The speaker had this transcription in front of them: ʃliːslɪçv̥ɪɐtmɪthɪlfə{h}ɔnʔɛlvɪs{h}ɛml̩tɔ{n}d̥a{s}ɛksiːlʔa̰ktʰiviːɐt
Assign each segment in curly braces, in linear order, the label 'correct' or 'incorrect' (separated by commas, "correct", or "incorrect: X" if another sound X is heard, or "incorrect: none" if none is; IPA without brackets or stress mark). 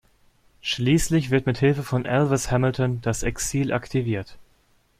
incorrect: f, correct, correct, correct